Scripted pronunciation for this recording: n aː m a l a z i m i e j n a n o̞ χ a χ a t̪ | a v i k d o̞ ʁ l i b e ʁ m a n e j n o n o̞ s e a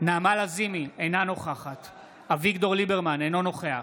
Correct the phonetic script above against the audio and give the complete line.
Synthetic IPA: n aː m a l a z i m i e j n a n o̞ χ a χ a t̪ | a v i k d o̞ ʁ l i b e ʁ m a n e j n o n o̞ χ e a

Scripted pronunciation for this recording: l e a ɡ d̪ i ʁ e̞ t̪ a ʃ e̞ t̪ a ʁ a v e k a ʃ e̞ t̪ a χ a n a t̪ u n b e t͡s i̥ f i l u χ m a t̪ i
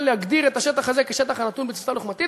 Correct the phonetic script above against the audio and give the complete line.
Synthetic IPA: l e a ɡ d̪ i ʁ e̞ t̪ a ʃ e̞ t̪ a χ a z e k e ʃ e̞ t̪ a χ a n a t̪ u n b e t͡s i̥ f a l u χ m a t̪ i

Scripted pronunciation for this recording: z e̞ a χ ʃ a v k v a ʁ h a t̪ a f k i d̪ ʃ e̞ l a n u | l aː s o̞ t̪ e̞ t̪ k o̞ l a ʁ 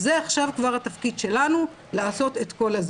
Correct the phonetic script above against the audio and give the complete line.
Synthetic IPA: z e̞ a χ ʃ a v k v a ʁ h a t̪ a f k i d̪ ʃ e̞ l a n u | l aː s o̞ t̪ e̞ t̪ k o̞ l a z

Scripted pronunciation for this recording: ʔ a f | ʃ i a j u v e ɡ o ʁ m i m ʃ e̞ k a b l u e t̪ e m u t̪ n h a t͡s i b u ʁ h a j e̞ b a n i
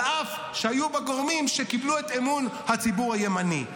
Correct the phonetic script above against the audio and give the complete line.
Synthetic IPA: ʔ a f | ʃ e a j u b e ɡ o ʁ m i m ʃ e̞ k i b l u e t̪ e m u n h a t͡s i b u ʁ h a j e̞ m a n i

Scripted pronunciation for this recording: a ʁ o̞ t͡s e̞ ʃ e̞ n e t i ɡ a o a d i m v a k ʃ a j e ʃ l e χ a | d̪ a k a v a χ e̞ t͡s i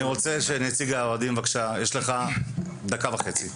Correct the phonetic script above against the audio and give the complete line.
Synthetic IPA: i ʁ o̞ t͡s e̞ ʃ e̞ n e t͡s i ɡ a o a d i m v a k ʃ a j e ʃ l e χ a | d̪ a k a v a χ e̞ t͡s i

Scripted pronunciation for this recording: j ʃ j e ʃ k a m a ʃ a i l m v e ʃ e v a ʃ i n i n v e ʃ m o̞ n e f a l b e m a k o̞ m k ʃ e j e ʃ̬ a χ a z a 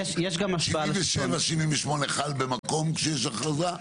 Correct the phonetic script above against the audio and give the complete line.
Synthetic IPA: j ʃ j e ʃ ɡ a m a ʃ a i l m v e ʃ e v a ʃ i n i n v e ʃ m o̞ n e χ a l b e m a k o̞ m k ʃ e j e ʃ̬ a χ a z a

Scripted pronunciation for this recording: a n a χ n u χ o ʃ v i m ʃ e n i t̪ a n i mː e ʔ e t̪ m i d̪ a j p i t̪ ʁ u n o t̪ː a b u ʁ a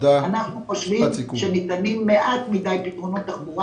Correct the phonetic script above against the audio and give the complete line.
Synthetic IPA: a n a χ n u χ o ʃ v i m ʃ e n i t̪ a n i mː e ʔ a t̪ m i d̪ a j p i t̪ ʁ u n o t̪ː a b u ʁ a

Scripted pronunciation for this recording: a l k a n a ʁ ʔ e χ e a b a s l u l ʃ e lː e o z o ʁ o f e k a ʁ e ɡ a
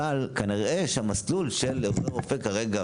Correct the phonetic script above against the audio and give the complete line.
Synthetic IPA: a l k a n i ʁ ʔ e ʃ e a m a s l u l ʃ e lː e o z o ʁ o f e k a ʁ e ɡ a

